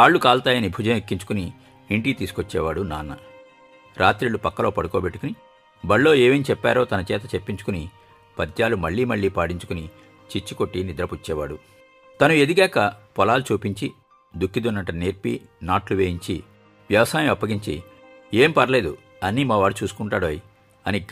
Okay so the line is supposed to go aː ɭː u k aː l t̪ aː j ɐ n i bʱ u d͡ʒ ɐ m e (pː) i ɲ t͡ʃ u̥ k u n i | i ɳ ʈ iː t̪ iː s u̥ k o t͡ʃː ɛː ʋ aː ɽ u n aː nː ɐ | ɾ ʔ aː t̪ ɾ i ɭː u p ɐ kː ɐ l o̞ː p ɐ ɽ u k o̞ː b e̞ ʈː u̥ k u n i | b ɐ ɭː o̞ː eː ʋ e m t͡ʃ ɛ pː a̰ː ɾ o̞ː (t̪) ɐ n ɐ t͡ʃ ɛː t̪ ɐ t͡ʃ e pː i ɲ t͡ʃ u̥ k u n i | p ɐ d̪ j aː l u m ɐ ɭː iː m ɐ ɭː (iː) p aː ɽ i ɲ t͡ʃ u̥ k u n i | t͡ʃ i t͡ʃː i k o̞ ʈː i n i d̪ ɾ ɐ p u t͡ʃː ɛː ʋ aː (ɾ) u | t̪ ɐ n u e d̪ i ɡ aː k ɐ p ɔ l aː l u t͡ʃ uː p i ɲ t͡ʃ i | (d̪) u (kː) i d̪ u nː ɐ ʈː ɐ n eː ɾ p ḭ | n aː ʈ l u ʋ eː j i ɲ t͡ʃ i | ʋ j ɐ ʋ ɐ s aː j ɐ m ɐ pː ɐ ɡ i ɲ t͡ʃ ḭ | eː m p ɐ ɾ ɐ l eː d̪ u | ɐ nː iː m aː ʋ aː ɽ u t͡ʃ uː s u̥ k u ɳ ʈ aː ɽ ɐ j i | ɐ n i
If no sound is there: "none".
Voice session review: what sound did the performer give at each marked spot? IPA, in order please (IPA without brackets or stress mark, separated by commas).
kː, t̪, iː, ɽ, d̪, kː